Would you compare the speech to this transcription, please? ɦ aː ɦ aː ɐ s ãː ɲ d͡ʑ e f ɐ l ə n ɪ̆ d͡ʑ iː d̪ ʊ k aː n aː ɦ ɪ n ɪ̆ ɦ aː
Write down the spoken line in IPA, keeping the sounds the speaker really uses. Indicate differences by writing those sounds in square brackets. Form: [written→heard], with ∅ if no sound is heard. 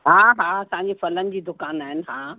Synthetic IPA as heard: ɦ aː ɦ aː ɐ s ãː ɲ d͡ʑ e f ɐ l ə n ɪ̆ d͡ʑ iː d̪ ʊ k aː n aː ɦ ɪ n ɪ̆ ɦ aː